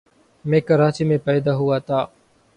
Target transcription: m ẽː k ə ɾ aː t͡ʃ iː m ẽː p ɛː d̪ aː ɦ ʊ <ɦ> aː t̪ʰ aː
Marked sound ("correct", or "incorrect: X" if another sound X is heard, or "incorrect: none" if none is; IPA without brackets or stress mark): incorrect: none